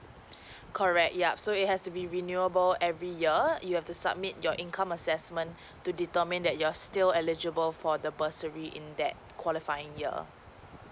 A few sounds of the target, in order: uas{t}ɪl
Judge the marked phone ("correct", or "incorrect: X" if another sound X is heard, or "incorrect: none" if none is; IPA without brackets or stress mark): correct